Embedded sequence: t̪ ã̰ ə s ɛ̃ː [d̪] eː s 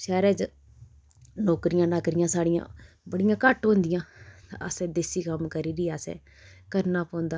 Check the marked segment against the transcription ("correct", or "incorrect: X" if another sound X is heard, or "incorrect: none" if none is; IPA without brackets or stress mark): correct